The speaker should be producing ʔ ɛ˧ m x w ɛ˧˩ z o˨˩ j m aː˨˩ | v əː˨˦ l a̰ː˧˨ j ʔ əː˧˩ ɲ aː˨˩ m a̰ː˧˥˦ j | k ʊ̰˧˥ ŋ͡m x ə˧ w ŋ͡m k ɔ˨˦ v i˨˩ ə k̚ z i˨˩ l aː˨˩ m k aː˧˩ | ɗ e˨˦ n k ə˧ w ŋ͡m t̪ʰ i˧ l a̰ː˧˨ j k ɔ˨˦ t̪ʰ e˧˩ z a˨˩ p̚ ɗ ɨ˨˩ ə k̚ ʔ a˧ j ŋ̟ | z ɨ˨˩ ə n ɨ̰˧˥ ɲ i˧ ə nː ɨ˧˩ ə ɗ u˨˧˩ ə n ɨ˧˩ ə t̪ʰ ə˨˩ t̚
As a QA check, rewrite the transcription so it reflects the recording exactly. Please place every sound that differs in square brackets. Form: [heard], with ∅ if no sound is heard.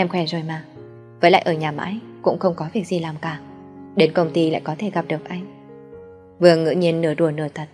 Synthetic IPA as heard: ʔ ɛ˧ m x w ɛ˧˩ z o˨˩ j m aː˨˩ | v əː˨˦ l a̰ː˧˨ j ʔ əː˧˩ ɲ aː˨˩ m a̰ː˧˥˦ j | k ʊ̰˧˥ ŋ͡m x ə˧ w ŋ͡m k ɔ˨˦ v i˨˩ ə k̚ z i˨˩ l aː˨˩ m k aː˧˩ | ɗ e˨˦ n k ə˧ w ŋ͡m [t̪] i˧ l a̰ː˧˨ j k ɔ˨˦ t̪ʰ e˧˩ [ɣ] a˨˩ p̚ ɗ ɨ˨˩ ə k̚ ʔ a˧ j ŋ̟ | [v] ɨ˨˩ ə [ŋ] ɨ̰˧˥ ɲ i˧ ə nː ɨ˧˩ ə ɗ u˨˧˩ ə n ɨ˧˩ ə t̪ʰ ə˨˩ t̚